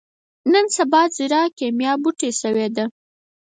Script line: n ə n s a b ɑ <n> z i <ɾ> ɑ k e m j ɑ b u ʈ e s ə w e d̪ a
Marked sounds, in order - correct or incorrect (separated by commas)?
incorrect, correct